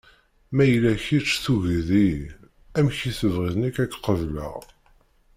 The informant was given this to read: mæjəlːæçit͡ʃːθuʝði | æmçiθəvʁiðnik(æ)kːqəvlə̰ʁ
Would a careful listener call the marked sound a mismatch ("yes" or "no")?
no